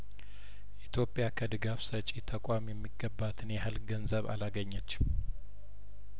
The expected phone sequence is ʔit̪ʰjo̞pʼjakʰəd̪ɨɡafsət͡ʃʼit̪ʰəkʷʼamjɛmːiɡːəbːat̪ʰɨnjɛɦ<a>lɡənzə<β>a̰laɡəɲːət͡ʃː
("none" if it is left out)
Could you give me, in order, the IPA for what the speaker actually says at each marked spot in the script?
a, β

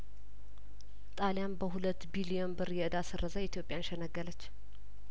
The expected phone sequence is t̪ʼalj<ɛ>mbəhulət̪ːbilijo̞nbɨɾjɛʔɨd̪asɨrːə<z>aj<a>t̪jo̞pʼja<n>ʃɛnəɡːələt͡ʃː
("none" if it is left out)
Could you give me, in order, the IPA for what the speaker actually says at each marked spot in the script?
a, z, i, n

